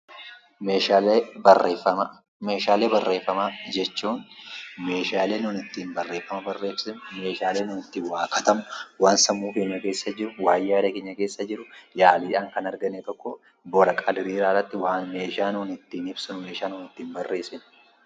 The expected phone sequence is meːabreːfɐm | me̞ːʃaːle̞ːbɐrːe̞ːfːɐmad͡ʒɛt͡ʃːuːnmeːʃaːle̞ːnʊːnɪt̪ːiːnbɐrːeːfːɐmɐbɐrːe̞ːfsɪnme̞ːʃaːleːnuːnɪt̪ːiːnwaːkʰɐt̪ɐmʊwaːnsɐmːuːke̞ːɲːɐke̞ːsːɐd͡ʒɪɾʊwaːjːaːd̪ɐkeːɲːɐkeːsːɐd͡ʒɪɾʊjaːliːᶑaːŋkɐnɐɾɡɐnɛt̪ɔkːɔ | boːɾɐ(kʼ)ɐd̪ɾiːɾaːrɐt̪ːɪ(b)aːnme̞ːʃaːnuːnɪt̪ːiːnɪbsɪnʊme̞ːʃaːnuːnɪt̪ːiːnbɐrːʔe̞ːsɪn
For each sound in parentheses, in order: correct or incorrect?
correct, incorrect

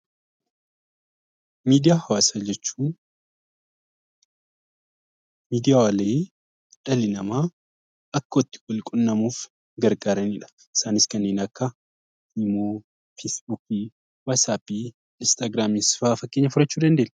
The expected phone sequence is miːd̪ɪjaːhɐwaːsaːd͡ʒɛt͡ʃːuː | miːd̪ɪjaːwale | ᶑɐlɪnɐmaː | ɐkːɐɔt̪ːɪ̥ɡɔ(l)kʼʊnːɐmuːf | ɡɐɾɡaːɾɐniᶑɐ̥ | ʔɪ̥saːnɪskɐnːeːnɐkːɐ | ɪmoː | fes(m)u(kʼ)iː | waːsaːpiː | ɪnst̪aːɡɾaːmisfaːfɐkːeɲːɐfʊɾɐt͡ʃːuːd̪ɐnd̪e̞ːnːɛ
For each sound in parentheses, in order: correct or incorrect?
correct, incorrect, incorrect

